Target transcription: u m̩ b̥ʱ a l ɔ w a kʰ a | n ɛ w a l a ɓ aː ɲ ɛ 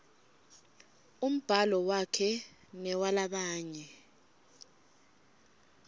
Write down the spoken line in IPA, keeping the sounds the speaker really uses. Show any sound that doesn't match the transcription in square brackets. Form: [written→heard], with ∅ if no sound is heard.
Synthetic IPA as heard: u m̩ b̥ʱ a l ɔ w a kʰ [a→ɛ] | n ɛ w a l a ɓ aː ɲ ɛ